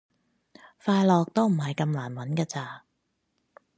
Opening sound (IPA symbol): f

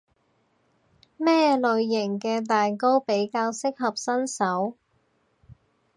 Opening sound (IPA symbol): m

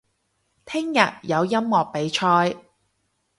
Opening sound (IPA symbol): t̪ʰ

